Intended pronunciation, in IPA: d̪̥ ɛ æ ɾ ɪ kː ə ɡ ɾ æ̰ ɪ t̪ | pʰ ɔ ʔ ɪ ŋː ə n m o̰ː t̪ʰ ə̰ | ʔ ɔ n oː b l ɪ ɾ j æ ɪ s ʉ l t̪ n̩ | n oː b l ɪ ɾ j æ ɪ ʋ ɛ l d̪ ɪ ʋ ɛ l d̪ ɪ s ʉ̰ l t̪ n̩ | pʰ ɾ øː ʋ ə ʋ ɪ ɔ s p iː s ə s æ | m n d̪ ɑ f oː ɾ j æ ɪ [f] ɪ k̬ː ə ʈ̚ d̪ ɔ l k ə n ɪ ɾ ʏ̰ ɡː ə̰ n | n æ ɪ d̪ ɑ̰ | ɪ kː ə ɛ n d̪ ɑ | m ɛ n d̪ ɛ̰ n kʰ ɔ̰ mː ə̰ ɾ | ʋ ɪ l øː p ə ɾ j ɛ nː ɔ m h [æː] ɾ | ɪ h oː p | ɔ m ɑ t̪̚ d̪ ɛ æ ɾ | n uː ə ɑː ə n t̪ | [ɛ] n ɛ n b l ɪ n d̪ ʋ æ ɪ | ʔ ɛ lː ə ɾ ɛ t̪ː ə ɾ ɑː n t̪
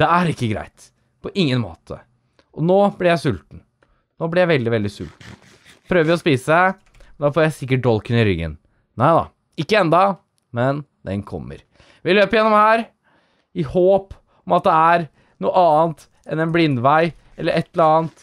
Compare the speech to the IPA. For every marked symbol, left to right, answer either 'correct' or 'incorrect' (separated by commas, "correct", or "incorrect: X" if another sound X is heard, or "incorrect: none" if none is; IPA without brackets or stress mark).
incorrect: s, correct, correct